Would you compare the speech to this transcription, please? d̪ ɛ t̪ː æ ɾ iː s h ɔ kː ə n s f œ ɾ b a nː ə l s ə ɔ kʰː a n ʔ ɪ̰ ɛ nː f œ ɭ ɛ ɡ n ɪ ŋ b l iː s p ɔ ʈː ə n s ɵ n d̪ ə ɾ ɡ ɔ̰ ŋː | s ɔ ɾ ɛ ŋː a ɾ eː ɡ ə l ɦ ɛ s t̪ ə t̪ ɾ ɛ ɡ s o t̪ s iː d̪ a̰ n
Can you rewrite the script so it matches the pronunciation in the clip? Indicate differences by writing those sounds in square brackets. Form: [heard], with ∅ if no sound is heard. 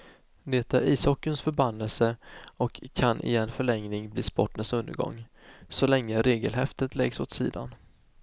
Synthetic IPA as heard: d̪ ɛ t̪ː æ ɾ iː s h ɔ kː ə n s f œ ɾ b a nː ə l s ə ɔ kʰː a n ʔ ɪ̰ ɛ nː f œ ɭ ɛ [ŋ] n ɪ ŋ b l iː s p ɔ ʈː ə n s ɵ n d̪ ə ɾ ɡ ɔ̰ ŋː | s ɔ [l] ɛ ŋː [ə] ɾ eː ɡ ə l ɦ ɛ [f] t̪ ə t̪ [l] ɛ ɡ s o t̪ s iː d̪ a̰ n